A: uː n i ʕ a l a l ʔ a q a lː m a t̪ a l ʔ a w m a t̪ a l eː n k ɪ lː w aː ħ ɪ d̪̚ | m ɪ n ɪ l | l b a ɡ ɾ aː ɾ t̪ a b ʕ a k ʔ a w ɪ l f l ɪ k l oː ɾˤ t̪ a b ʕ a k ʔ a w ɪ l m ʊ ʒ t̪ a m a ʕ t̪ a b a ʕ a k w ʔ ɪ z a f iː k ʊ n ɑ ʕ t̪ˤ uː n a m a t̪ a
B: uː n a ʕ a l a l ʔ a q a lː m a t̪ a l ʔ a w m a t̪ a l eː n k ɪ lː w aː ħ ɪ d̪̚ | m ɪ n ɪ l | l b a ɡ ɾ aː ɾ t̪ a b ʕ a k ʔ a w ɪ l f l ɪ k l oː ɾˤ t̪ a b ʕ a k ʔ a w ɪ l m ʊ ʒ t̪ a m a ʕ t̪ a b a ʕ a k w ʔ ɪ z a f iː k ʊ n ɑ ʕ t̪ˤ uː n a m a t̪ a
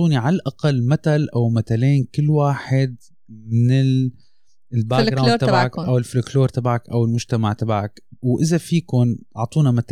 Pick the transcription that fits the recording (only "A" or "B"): A